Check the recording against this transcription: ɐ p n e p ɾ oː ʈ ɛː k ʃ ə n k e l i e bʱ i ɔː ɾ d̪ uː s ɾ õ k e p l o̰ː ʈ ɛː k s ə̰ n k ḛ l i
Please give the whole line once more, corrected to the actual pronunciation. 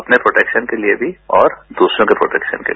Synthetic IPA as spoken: ɐ p n e p ɾ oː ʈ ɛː k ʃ ə n k e l i e bʱ i ɔː ɾ d̪ uː s ɾ õ k e p ɾ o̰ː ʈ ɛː k ʃ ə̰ n k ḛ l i